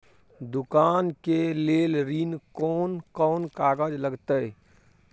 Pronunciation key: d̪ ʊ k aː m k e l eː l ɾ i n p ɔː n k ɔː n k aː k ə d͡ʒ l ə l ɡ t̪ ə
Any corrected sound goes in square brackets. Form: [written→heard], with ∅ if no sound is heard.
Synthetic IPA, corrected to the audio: d̪ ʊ k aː [m→n] k e l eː l ɾ i n [p→k] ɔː n k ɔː n k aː [k→ɡ] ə d͡ʒ l ə [l→∅] ɡ t̪ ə